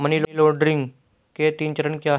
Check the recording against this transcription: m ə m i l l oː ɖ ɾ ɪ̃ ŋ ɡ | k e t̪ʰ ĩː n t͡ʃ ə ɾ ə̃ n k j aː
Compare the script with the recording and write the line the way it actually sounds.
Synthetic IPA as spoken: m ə n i l l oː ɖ ɾ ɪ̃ ŋ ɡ | k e t̪ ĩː n t͡ʃ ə ɾ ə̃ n k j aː